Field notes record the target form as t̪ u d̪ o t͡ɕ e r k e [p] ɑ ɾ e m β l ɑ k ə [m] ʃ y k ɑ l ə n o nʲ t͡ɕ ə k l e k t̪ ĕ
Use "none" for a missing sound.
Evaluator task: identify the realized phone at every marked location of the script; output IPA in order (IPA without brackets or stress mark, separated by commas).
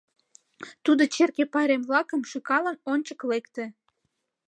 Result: p, m